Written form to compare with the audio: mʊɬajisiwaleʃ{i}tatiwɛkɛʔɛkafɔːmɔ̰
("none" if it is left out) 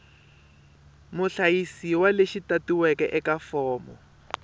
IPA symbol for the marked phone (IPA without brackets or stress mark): i